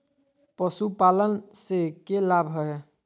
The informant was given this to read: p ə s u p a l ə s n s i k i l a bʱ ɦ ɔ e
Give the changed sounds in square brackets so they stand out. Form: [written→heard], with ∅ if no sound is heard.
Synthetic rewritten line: p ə s u p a l ə [s→∅] n s [i→e] k [i→e] l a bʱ ɦ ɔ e